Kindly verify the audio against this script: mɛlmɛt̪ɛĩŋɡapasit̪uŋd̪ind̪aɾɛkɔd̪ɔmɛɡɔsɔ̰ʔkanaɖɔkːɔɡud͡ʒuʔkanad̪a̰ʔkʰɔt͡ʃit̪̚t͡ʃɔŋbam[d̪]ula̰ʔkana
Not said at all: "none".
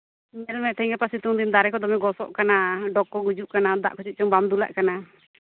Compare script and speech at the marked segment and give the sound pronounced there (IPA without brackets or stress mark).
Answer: d̪